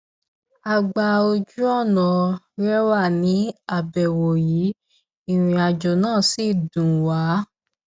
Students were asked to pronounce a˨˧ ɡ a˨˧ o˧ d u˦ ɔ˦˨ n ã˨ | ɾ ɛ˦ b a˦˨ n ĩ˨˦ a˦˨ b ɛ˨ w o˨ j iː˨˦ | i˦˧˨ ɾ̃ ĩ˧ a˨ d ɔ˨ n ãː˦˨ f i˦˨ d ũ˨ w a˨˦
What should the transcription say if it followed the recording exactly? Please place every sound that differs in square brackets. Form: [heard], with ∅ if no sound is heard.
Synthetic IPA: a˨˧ [ɡ͡b] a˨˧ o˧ [d͡ʒ] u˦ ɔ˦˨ n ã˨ | ɾ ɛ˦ [w] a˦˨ n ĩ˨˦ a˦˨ b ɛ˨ w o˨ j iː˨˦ | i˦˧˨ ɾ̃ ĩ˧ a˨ [d͡ʒ] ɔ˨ n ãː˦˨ [s] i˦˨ d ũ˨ w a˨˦